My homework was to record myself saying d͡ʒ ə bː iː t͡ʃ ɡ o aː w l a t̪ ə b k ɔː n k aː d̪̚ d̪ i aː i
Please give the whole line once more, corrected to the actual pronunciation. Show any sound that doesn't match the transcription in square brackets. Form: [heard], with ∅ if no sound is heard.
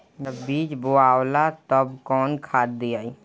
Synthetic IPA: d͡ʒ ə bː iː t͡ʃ [b] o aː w l a t̪ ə b k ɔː n [kʰ] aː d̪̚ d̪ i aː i

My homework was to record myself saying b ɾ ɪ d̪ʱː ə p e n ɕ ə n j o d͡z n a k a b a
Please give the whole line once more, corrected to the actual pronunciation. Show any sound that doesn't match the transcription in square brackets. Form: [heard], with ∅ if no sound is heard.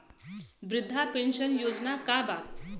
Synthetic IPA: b ɾ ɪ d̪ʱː [a] p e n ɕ ə n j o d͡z n a k a b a

